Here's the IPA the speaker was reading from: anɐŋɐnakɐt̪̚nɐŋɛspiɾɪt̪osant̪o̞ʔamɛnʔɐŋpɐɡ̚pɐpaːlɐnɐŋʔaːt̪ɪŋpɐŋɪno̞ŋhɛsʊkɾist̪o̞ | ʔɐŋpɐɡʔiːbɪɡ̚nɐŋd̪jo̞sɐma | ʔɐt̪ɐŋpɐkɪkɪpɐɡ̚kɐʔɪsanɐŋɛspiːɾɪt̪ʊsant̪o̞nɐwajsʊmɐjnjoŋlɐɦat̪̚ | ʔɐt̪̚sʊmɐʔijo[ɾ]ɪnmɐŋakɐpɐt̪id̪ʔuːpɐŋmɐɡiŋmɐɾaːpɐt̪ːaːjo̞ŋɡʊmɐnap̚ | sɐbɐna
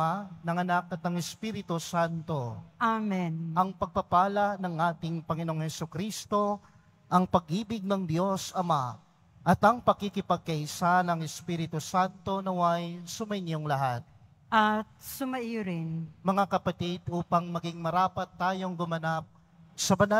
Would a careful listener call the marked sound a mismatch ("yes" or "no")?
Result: no